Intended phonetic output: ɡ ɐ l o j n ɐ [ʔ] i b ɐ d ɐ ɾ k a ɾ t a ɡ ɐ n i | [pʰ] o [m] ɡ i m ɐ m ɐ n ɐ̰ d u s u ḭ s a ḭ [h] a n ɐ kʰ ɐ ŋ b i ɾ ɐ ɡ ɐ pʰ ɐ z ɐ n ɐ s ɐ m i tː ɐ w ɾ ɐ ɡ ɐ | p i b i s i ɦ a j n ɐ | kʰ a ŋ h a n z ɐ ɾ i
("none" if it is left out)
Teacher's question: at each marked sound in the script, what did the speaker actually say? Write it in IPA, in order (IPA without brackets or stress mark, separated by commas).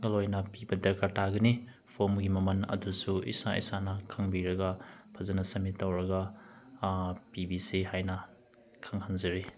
p, pʰ, m, s